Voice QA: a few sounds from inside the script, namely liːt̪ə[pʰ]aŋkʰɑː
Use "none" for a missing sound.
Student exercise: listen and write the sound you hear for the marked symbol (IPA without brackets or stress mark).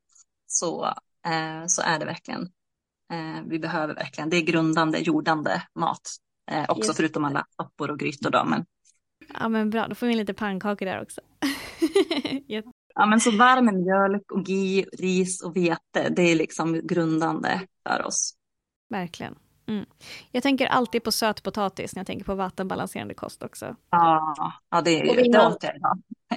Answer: pʰ